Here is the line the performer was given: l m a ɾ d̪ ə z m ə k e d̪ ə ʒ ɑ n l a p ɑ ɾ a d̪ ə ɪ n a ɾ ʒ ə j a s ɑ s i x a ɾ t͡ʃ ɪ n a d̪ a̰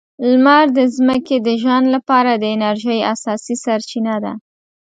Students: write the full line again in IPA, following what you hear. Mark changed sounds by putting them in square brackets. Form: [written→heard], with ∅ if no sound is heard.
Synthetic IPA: l m a ɾ d̪ ə z m ə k e d̪ ə ʒ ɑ n l a p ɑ ɾ a d̪ ə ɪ n a ɾ ʒ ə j a s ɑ s i [x→s] a ɾ t͡ʃ [ɪ→i] n a d̪ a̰